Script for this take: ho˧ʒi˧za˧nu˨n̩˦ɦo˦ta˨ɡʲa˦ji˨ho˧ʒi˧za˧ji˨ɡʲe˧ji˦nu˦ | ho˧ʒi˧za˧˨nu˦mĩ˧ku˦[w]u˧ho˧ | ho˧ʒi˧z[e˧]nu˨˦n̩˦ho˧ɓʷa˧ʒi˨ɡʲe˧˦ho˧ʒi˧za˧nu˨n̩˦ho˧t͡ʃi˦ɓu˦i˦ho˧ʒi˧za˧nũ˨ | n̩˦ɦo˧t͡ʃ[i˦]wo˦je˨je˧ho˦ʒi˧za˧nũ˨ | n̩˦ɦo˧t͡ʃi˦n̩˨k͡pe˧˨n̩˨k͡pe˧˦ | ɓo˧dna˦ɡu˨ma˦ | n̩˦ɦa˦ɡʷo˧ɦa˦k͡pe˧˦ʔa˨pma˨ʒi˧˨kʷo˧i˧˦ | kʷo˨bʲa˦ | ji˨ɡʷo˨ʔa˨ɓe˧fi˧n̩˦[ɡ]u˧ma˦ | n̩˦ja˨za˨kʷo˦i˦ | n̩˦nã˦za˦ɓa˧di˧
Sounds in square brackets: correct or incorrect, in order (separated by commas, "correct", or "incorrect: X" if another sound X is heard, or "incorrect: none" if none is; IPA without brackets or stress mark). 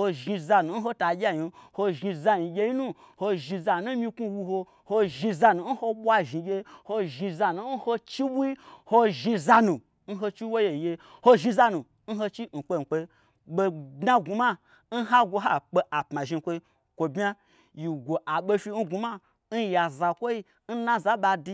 correct, incorrect: a˧, correct, correct